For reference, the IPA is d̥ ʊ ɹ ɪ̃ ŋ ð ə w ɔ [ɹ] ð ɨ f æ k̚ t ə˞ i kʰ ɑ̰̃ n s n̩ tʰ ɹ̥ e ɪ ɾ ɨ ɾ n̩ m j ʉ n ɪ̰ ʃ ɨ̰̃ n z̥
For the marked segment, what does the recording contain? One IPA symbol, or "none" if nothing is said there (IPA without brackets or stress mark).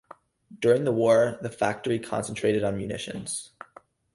ɹ